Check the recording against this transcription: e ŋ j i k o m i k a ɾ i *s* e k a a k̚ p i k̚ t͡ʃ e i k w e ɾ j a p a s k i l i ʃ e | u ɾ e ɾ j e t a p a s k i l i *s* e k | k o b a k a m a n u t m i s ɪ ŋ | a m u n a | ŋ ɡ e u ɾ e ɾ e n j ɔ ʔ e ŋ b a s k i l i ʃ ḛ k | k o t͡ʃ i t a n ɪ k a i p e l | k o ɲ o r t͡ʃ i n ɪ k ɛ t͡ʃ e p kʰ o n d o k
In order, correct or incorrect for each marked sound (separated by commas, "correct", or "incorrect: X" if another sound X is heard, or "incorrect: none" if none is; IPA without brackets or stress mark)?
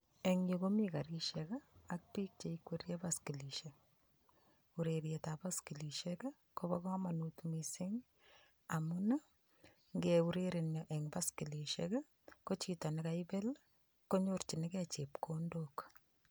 incorrect: ʃ, incorrect: ʃ